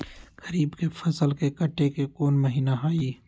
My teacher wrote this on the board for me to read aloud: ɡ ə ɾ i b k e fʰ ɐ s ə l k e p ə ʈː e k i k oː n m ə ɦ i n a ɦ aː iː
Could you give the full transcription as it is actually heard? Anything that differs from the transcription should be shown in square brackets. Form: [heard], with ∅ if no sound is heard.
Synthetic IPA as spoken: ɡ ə ɾ [iː] b k e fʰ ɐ s ə l k e [k] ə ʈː e k [e] k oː n m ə ɦ [iː] n a ɦ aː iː